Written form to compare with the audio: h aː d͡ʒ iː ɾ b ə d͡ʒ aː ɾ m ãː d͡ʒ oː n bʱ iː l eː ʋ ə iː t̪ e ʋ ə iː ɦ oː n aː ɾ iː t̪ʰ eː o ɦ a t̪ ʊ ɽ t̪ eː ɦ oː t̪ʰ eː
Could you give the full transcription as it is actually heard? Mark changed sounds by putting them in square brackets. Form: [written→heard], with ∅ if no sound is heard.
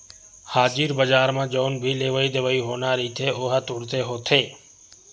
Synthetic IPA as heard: h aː d͡ʒ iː ɾ b ə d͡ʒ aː ɾ m ãː d͡ʒ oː n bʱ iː l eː ʋ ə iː [t̪→d̪] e ʋ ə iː ɦ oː n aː ɾ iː t̪ʰ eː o ɦ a t̪ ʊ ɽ t̪ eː ɦ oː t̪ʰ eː

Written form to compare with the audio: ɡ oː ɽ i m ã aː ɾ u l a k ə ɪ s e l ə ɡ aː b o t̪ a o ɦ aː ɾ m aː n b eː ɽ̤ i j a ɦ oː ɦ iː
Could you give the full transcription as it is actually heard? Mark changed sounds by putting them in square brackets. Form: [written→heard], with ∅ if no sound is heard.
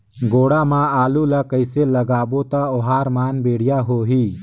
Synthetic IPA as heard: ɡ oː ɽ [i→a] m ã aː [ɾ→l] u l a k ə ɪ s e l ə ɡ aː b o t̪ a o ɦ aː ɾ m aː n b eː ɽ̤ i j a ɦ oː ɦ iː

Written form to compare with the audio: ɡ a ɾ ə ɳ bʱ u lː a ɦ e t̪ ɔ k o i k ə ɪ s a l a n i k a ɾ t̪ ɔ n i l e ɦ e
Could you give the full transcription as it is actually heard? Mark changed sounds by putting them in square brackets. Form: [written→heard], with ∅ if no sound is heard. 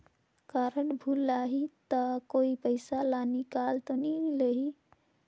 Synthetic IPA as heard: [ɡ→k] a ɾ ə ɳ bʱ u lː a ɦ [e→i] t̪ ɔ k o i [k→p] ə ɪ s a l a n i k a [ɾ→l] t̪ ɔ n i l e ɦ [e→i]

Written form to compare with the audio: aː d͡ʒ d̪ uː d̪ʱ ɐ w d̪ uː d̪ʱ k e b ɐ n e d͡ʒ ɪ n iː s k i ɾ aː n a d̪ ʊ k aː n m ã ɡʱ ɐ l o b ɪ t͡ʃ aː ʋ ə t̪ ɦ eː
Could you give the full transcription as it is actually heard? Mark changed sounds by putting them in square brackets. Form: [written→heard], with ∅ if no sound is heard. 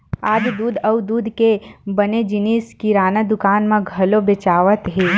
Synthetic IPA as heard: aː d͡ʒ d̪ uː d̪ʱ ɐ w d̪ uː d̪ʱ k e b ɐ n e d͡ʒ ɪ n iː s k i ɾ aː n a d̪ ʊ k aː n m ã ɡʱ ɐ l o b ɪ t͡ʃ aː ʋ ə t̪ ɦ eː

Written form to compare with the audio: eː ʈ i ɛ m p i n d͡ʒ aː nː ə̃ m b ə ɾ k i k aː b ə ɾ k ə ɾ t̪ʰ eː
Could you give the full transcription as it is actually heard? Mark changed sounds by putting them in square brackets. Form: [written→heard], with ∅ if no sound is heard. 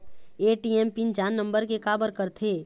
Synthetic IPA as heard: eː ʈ i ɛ m p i n d͡ʒ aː nː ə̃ m b ə ɾ k [i→e] k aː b ə ɾ k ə ɾ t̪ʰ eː

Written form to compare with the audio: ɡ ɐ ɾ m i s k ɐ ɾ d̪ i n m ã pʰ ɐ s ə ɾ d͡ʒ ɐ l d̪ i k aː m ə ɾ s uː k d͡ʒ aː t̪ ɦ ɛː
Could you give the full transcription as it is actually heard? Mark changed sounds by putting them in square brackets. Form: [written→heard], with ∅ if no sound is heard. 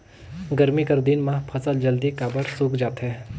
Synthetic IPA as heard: ɡ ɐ ɾ m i [s→∅] k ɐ ɾ d̪ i n m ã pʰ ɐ s ə [ɾ→l] d͡ʒ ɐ l d̪ i k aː [m→b] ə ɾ s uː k d͡ʒ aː t̪ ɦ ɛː

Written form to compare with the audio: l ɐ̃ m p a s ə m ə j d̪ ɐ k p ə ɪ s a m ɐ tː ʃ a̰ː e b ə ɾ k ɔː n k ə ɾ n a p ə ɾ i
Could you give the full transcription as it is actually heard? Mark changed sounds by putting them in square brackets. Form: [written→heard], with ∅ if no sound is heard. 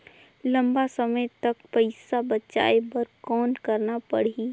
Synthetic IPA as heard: l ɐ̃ m [p→b] a s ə m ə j [d̪→t̪] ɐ k p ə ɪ s a [m→b] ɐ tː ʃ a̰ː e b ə ɾ k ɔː n k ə ɾ n a p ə [ɾ→ɽ] i

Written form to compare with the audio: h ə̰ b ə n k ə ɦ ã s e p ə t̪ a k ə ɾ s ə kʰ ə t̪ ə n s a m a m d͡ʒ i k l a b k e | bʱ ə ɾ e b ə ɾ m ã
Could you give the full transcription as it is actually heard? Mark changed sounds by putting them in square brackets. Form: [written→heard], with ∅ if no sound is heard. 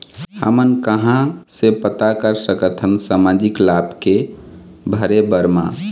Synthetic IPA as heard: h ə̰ [b→m] ə n k ə ɦ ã s e p ə t̪ a k ə ɾ s ə [kʰ→k] ə [t̪→t̪ʰ] ə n s a m a [m→∅] d͡ʒ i k l a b k e | bʱ ə ɾ e b ə ɾ m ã

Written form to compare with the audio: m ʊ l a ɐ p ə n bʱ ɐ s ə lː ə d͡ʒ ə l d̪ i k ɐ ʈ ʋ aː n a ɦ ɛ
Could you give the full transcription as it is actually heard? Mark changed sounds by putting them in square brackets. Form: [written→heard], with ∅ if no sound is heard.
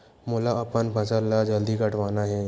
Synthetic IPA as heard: m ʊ l a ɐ p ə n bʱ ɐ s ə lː [ə→a] d͡ʒ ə l d̪ i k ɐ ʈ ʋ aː n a ɦ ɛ

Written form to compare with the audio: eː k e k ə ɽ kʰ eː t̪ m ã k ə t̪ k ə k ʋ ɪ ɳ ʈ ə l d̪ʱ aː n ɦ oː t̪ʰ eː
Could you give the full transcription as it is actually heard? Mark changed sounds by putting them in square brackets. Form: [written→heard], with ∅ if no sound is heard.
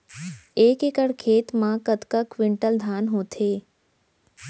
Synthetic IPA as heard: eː k e k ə ɽ kʰ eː t̪ m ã k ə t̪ k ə k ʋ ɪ ɳ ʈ ə l d̪ʱ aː n ɦ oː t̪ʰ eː

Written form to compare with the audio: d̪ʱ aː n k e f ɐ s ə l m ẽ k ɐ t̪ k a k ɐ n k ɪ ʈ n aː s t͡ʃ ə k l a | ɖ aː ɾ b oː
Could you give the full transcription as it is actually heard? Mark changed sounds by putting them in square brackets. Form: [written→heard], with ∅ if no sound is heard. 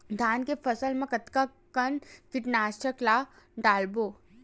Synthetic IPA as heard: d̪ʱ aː n k e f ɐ s ə l m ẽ k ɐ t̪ k a k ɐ n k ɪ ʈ n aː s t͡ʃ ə k l a | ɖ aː [ɾ→l] b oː

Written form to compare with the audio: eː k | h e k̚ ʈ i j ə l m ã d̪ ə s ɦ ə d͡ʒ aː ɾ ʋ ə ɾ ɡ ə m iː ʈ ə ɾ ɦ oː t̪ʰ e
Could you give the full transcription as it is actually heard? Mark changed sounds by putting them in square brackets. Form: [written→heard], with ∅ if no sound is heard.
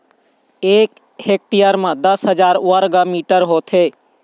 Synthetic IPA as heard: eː k | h e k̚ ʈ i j ə [l→ɾ] m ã d̪ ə s ɦ ə d͡ʒ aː ɾ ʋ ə ɾ ɡ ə m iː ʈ ə ɾ ɦ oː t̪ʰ e

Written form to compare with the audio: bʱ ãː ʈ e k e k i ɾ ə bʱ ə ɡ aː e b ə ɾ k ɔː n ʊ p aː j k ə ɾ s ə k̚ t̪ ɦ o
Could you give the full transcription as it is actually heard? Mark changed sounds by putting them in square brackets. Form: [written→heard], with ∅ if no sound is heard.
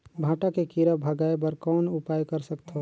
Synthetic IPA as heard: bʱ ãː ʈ [e→a] k e k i ɾ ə bʱ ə ɡ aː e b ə ɾ k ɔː n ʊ p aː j k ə ɾ s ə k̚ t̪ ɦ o

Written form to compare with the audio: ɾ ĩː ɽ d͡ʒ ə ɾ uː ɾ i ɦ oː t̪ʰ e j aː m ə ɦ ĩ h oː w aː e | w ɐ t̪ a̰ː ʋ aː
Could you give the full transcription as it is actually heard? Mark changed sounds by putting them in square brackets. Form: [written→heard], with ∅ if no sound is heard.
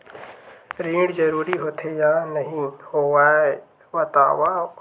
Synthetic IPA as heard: ɾ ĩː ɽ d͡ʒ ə ɾ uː ɾ i ɦ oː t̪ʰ e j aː [m→n] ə ɦ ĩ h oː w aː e | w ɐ t̪ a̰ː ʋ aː

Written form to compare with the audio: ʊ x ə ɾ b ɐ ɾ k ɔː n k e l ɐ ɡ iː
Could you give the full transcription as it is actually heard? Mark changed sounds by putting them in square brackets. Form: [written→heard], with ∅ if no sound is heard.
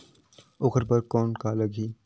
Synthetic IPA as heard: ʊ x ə ɾ [b→p] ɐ ɾ k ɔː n k [e→a] l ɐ ɡ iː

